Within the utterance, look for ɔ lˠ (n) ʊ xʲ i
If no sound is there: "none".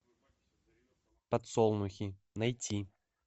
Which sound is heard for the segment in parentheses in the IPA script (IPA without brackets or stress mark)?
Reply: n